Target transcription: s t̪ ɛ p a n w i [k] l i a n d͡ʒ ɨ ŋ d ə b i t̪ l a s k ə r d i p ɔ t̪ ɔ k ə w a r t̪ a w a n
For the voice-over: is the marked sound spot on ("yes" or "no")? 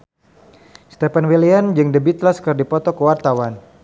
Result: no